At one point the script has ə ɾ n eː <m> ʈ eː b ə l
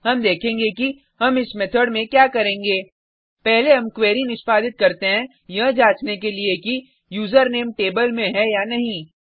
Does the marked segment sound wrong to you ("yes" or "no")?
no